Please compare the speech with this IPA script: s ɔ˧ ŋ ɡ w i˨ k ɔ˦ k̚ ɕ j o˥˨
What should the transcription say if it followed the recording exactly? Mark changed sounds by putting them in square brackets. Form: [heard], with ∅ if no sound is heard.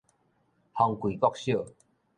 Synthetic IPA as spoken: [h] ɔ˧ ŋ [k] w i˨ k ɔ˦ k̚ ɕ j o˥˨